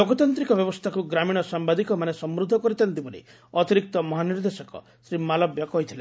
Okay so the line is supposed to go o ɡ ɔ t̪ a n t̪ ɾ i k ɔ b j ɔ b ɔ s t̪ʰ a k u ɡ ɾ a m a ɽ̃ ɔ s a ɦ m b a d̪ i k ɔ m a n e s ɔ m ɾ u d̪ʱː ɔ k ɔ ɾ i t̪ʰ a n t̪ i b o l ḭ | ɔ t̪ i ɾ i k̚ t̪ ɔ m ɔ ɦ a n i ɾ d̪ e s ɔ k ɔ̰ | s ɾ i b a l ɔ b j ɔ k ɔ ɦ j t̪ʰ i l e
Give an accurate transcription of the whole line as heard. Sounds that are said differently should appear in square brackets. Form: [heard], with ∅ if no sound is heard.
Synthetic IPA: o ɡ ɔ t̪ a n t̪ ɾ i k ɔ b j ɔ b ɔ s t̪ʰ a k u ɡ ɾ a m [i] ɽ̃ ɔ s a [∅] m b a d̪ i k ɔ m a n e s ɔ m ɾ u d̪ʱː ɔ k ɔ ɾ i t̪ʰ a n t̪ i b o l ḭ | ɔ t̪ i ɾ i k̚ t̪ ɔ m ɔ ɦ a n i ɾ d̪ e s ɔ k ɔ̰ | s ɾ i [m] a l ɔ b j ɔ k ɔ ɦ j t̪ʰ i l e